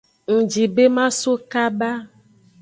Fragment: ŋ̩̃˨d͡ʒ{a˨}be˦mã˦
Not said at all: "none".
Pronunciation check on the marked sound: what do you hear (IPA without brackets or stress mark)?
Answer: i˨